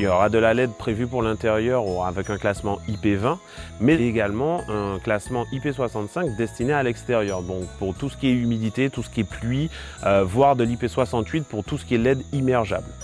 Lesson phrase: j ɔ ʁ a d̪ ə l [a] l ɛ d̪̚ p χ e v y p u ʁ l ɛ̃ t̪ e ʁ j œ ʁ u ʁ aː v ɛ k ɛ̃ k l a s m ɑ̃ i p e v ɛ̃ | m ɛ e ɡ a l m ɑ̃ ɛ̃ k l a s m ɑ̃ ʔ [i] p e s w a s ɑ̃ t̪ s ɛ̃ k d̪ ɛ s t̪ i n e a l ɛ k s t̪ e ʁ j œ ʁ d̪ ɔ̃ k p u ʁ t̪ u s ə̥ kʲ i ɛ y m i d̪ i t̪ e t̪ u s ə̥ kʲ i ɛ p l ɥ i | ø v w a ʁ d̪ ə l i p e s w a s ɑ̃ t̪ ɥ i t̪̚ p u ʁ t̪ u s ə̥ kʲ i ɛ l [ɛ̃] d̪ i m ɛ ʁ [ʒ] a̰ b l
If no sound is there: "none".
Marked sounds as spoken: a, i, ɛ, ʒ

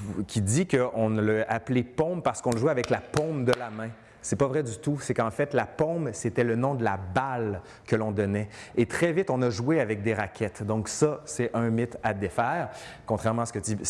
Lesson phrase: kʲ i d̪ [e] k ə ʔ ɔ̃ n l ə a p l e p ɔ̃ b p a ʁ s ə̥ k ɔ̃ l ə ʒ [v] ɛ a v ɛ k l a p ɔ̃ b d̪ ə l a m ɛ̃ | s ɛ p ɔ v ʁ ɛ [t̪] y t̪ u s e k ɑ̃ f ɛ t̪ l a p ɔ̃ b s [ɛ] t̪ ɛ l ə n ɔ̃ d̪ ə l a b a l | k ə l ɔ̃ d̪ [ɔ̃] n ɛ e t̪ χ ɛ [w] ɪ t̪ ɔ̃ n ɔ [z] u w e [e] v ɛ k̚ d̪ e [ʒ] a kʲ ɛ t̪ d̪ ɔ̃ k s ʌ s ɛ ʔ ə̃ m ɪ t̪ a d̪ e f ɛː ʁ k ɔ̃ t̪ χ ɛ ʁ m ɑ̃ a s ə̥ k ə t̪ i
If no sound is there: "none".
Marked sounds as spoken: i, w, d̪, e, ɔ, v, ʒ, a, ʁ

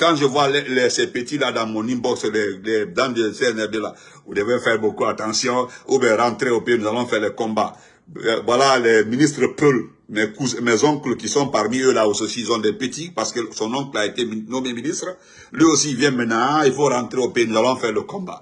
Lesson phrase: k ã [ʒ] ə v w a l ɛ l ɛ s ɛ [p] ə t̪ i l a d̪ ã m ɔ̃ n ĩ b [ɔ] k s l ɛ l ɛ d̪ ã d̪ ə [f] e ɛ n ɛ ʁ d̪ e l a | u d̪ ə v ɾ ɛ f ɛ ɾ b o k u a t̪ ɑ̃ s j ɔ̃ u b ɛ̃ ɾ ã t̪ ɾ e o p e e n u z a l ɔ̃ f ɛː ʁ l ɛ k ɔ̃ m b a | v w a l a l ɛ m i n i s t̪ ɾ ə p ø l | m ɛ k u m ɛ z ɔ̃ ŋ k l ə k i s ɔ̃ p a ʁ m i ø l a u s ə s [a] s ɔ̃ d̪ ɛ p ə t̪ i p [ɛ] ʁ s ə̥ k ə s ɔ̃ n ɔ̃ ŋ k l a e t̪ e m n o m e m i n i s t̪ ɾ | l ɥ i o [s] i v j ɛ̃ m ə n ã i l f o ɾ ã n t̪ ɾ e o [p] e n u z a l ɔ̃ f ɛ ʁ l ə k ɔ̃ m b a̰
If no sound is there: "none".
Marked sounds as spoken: ʒ, p, ɔ, s, i, a, s, p

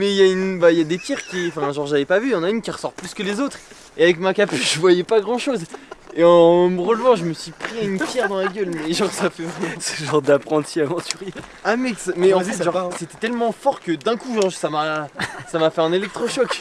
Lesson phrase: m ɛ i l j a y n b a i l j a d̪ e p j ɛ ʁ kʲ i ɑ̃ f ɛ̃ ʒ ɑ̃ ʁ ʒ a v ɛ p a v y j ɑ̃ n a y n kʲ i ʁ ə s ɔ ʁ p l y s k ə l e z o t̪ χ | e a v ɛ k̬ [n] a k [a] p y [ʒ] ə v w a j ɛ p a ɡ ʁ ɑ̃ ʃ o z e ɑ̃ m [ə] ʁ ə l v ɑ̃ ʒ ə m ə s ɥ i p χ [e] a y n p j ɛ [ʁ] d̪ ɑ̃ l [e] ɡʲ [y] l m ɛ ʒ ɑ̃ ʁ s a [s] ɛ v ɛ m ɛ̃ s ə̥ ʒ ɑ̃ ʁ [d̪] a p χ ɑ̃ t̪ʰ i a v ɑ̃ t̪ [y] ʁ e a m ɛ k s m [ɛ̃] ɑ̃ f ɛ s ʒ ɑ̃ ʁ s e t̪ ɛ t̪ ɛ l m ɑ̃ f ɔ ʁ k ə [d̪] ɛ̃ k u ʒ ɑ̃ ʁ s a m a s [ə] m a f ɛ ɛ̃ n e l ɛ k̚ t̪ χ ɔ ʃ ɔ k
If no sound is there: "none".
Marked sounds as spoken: m, a, ʒ, ə, i, ʁ, a, œ, f, d̪, y, ɛ, d̪, a

